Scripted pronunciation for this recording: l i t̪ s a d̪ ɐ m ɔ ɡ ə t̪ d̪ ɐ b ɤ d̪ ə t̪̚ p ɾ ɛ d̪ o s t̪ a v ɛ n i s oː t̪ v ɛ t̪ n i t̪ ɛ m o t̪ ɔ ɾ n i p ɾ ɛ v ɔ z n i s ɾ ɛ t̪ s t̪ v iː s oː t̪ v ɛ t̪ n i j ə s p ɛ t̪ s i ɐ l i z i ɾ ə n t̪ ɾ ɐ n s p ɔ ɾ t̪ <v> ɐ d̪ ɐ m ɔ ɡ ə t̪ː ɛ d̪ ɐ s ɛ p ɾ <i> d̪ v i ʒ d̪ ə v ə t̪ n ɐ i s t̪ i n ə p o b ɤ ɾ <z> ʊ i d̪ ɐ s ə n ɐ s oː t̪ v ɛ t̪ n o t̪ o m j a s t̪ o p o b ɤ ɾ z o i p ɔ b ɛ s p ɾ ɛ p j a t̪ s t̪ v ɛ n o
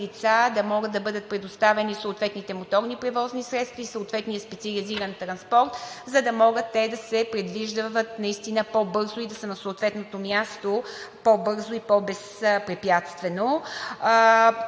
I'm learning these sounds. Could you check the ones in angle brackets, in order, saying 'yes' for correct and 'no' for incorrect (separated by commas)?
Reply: no, no, yes